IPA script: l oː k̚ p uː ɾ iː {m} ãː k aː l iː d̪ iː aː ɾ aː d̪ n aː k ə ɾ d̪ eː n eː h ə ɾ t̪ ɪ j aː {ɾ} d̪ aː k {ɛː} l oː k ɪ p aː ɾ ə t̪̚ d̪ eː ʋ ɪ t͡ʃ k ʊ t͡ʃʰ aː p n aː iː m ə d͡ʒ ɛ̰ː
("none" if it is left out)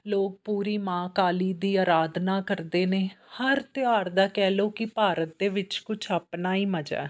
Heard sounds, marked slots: m, ɾ, ɛː

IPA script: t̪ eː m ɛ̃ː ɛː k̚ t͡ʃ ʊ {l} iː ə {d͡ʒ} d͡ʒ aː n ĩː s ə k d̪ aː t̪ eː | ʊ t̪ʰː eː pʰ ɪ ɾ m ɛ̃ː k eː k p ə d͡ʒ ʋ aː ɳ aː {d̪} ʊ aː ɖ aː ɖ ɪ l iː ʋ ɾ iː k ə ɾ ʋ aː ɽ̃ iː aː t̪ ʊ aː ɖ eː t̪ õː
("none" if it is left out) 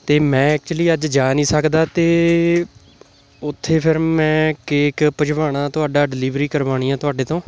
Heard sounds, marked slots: l, d͡ʒ, t̪

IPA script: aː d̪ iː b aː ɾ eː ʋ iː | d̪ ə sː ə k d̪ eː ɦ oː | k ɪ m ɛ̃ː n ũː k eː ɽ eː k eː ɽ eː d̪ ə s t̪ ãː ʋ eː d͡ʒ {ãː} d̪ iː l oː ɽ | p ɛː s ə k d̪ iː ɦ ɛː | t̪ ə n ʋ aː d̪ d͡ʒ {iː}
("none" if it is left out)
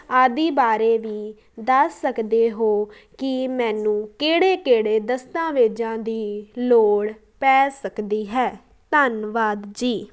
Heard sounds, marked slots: ãː, iː

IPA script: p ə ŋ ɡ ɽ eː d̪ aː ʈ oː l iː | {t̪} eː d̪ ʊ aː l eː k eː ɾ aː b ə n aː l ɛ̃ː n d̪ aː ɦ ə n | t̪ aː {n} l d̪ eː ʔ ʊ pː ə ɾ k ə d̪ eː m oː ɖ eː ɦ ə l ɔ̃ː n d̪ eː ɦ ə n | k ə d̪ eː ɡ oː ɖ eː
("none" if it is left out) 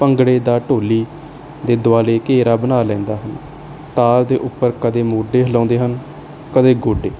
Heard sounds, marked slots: d̪, none

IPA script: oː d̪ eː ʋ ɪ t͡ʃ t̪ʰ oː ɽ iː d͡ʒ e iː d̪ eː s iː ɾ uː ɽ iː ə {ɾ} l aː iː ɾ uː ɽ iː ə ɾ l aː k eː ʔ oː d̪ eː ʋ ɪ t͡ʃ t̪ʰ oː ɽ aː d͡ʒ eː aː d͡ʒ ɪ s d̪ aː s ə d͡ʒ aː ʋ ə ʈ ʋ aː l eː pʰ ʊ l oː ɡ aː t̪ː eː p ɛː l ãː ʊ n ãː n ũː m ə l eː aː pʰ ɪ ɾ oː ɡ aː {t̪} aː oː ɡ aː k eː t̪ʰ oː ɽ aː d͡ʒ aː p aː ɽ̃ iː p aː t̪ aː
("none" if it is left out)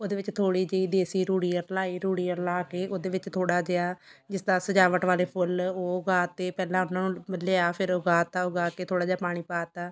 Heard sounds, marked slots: ɾ, t̪

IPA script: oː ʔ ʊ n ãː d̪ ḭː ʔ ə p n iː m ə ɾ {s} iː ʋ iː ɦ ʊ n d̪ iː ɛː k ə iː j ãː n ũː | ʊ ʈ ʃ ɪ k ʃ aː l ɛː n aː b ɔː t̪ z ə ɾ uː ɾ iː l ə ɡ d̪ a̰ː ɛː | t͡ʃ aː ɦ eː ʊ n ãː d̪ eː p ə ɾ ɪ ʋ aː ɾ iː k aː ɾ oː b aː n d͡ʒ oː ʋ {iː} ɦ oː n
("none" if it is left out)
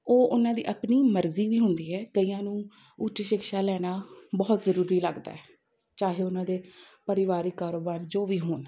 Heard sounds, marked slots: z, iː

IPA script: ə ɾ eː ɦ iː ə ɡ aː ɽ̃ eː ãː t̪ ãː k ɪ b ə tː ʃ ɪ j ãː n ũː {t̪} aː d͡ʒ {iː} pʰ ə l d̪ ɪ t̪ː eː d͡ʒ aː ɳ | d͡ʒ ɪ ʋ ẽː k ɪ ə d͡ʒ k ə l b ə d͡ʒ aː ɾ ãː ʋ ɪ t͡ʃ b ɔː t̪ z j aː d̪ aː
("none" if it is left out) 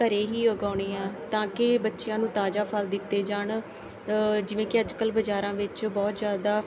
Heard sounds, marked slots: t̪, aː

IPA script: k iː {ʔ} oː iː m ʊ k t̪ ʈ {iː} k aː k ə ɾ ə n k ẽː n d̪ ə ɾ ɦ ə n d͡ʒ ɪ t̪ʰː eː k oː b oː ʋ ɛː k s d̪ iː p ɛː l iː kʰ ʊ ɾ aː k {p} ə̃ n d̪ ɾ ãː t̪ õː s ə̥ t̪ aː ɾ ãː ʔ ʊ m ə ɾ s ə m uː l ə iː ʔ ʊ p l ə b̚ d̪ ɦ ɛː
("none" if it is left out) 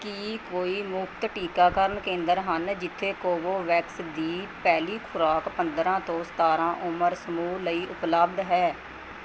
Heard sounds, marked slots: k, iː, p

